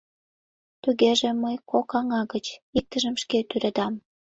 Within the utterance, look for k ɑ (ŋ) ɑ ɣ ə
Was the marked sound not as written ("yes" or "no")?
no